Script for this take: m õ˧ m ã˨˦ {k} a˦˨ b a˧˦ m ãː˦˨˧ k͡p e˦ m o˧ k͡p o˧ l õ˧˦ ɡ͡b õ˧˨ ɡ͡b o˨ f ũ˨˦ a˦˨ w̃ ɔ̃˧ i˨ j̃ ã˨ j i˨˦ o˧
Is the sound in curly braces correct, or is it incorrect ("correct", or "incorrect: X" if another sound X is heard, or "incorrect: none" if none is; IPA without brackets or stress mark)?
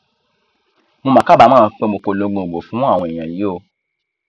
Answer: correct